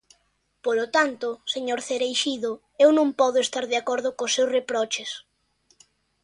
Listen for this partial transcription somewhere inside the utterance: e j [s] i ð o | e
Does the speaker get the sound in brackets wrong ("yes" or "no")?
yes